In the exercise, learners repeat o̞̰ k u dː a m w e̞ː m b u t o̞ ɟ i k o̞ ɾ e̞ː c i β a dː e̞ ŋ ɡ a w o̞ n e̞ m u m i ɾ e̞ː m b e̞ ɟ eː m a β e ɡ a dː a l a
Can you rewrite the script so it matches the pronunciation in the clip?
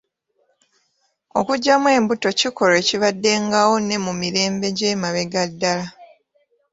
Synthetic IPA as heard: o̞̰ k u ɟː a m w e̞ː m b u t o̞ c i k o̞ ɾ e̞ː c i β a dː e̞ ŋ ɡ a w o̞ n e̞ m u m i ɾ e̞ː m b e̞ ɟ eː m a β e ɡ a dː a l a